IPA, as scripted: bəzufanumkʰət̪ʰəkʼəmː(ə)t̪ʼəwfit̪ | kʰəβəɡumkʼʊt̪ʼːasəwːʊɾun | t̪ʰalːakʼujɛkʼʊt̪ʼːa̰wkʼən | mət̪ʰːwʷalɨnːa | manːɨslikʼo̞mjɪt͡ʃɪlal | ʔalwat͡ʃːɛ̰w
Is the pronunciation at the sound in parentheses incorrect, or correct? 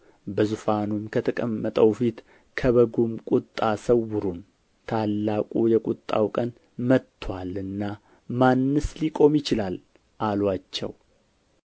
correct